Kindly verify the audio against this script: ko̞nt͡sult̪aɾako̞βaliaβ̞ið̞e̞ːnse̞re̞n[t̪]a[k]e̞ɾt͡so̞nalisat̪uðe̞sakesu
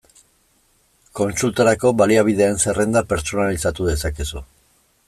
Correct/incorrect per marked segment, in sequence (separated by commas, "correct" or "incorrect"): incorrect, incorrect